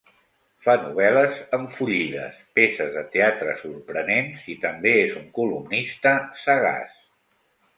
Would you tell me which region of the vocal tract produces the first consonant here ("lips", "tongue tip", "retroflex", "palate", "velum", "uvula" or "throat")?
lips